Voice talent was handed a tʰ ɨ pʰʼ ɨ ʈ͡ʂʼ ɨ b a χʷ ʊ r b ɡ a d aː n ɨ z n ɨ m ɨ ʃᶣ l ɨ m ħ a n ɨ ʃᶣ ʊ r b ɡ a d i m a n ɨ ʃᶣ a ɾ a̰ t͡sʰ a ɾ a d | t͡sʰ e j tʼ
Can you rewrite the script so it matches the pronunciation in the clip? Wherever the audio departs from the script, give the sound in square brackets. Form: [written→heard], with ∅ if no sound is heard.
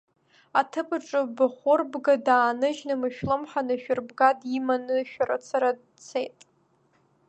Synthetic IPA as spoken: a tʰ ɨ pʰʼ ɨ ʈ͡ʂʼ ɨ b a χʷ ʊ r b ɡ a d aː n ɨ [z→ʒ] n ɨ m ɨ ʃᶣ l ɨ m ħ a n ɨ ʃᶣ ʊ r b ɡ a d i m a n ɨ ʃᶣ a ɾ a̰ t͡sʰ a ɾ a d | t͡sʰ e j tʼ

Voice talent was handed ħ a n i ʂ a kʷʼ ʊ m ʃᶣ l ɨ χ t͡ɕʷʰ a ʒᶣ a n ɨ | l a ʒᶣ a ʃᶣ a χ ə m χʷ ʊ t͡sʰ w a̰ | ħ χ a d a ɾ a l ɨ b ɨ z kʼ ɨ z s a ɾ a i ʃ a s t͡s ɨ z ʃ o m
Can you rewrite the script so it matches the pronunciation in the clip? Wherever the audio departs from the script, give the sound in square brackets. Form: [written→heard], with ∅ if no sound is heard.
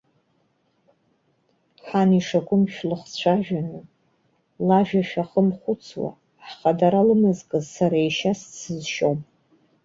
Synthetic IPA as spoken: ħ a n i ʂ a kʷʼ ʊ m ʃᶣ l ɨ χ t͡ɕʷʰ a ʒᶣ a n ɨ | l a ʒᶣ a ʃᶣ a χ ə m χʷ ʊ t͡sʰ w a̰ | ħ χ a d a ɾ a l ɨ [b→m] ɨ z kʼ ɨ z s a ɾ a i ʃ a s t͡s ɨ z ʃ o m

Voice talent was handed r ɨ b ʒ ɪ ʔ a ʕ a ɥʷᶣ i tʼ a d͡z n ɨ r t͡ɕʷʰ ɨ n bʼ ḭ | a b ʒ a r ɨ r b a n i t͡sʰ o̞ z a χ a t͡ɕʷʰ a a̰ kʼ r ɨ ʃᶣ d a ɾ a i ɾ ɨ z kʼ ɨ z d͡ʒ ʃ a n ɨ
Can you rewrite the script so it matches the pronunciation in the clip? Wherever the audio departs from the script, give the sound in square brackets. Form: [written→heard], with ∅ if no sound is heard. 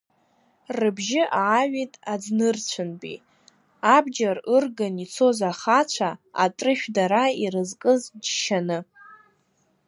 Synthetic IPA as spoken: r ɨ b ʒ ɪ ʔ a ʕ a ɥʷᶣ i tʼ a d͡z n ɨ r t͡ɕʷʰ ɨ n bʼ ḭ | a b [ʒ→d͡ʒ] a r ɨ r [b→ɡ] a n i t͡sʰ o̞ z a χ a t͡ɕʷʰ a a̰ [kʼ→tʼ] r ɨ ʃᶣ d a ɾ a i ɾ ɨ z kʼ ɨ z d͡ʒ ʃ a n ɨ

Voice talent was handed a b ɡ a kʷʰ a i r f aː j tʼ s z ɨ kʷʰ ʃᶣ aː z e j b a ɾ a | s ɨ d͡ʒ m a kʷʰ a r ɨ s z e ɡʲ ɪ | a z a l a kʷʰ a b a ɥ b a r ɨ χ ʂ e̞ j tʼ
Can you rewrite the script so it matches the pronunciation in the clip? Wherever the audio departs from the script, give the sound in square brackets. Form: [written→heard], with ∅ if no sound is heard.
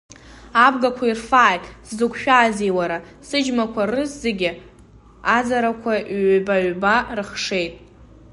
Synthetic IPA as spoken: a b ɡ a kʷʰ a i r f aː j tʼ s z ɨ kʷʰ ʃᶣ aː z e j [b→w] a ɾ a | s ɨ d͡ʒ m a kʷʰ a r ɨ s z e ɡʲ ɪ | a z a [l→ɾ] a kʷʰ a b a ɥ b a r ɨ χ ʂ e̞ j tʼ

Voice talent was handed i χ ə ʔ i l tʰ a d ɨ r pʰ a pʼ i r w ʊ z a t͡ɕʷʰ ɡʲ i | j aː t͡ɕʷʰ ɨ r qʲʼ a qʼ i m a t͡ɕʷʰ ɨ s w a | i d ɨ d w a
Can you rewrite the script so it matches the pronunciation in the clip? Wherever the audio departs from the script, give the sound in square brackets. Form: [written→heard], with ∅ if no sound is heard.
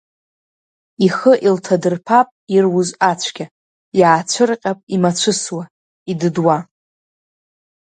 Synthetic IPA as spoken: i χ ə ʔ i l tʰ a d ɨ r pʰ a pʼ i r w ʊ z a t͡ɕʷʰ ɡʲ [i→a] | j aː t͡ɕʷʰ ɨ r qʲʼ a [qʼ→pʼ] i m a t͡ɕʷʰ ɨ s w a | i d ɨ d w a

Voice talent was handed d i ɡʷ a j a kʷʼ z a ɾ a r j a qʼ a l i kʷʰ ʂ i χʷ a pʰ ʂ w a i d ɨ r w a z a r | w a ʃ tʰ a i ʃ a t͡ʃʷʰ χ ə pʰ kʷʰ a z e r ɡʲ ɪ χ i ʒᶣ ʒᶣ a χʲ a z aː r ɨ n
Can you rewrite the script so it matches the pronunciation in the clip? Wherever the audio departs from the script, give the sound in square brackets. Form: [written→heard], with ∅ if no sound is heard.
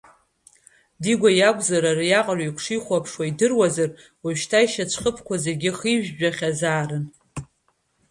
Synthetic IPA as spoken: d i ɡʷ a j a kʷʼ z a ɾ a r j a qʼ a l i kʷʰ ʂ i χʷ a pʰ ʂ w a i d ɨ r w a z a r | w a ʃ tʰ a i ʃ a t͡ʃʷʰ χ ə pʰ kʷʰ a z e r ɡʲ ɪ χ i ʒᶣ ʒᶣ a χʲ a z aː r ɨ n

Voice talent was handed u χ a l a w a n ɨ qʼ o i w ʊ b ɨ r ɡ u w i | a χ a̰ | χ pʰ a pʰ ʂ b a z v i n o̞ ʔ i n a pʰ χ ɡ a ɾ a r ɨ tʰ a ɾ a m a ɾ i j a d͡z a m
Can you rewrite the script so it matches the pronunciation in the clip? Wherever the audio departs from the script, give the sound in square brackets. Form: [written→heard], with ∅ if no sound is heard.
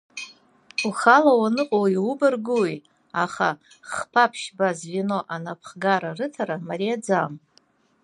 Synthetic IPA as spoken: u χ a l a w a n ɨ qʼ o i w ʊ b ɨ r ɡ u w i | a χ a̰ | χ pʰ a pʰ [ʂ→ʃ] b a z v i n o̞ ʔ [i→a] n a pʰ χ ɡ a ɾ a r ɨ tʰ a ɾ a m a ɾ i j a d͡z a m

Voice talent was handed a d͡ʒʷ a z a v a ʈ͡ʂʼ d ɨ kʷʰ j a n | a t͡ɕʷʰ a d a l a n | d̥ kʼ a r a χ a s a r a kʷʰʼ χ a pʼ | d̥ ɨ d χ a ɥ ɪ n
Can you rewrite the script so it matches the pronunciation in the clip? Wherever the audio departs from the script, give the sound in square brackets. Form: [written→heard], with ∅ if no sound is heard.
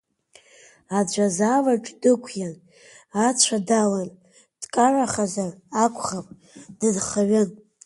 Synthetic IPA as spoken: a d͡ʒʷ a z a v a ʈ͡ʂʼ d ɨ kʷʰ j a n | a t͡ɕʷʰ a d a l a n | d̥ kʼ a r a χ a [s→z] a r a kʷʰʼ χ a pʼ | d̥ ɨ d χ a ɥ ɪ n

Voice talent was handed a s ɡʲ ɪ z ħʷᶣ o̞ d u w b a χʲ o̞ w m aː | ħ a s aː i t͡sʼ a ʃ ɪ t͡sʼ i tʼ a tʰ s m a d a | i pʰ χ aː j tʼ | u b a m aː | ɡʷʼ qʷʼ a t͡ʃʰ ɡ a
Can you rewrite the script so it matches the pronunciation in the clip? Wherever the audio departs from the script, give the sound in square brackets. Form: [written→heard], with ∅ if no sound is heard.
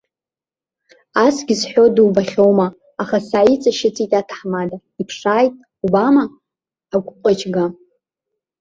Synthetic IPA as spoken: a s ɡʲ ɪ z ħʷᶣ o̞ d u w b a χʲ o̞ w m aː | [ħ→χ] a s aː i t͡sʼ a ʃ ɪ t͡sʼ i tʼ a tʰ [s→ħ] m a d a | i pʰ [χ→ʂ] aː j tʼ | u b a m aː | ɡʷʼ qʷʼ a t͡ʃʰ ɡ a

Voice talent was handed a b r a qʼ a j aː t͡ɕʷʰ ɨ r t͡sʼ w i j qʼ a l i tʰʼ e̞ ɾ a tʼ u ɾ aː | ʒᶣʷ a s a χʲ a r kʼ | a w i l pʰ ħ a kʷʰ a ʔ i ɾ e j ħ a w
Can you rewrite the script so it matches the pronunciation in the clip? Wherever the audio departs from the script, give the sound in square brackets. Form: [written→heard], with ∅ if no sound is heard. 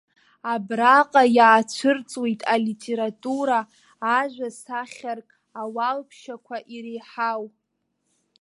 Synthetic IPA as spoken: a b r a qʼ a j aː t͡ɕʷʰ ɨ r t͡sʼ w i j [qʼ→tʼ] a l i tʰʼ e̞ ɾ a tʼ u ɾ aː | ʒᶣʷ a s a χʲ a r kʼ | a w [i→a] l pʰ [ħ→ʃ] a kʷʰ a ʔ i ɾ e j ħ a w

